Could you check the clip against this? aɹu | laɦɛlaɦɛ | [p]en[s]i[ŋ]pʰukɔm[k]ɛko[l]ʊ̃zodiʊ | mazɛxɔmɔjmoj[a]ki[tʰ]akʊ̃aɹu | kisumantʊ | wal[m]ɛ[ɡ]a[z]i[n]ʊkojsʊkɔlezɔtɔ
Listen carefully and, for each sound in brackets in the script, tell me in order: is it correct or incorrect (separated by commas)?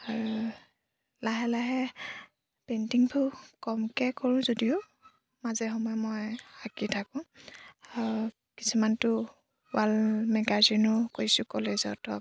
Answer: correct, incorrect, correct, correct, incorrect, correct, correct, correct, correct, correct, correct